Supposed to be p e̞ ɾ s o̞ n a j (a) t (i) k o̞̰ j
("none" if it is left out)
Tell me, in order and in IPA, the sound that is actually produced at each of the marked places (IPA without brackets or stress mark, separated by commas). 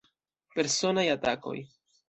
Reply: a, a